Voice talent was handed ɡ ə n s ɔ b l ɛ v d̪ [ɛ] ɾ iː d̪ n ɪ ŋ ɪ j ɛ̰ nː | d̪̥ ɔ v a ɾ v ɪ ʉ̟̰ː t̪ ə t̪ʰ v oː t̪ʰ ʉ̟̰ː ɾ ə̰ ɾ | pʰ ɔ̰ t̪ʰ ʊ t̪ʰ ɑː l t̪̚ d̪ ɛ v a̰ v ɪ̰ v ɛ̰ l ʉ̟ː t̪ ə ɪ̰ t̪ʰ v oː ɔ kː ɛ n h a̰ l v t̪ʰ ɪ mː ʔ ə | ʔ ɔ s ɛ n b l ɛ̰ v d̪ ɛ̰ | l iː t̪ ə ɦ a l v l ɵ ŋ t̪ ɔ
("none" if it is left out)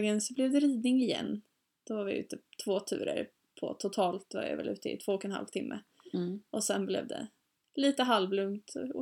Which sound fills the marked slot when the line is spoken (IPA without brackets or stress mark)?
ɛ